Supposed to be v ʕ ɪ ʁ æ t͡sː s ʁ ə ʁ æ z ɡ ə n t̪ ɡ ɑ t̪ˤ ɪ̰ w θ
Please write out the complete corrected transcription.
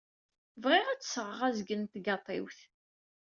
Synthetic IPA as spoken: v ʁ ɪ ʁ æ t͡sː s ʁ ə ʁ æ z ɡ ə n t̪ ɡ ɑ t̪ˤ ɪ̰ w θ